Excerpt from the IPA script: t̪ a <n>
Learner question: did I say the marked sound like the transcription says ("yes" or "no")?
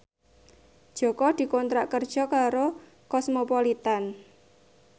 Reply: yes